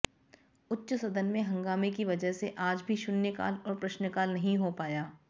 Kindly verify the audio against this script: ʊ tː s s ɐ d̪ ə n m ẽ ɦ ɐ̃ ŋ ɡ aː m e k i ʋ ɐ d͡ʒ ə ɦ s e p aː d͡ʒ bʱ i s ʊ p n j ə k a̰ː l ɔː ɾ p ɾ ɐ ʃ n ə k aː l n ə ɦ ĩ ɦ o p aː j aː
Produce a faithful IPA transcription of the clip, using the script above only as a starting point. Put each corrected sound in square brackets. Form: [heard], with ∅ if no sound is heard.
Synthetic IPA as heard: ʊ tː [ʃ] s ɐ d̪ ə n m ẽ ɦ ɐ̃ ŋ ɡ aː m e k i ʋ ɐ d͡ʒ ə ɦ s e [ʔ] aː d͡ʒ bʱ i [ʃ] ʊ [∅] n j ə k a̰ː l ɔː ɾ p ɾ ɐ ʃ n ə k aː l n [ɐ] ɦ ĩ ɦ o p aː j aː